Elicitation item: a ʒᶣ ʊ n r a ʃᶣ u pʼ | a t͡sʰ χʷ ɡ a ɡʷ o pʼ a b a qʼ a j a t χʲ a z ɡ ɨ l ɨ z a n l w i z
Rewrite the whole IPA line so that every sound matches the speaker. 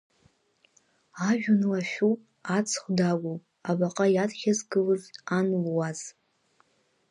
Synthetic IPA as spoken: a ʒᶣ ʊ n l a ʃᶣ u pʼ | a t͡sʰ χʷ d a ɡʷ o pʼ a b a qʼ a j a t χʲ a z ɡ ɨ l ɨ z a n l w a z